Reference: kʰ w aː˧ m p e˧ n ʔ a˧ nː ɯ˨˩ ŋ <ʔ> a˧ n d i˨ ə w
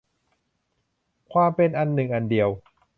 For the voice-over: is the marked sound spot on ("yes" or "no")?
yes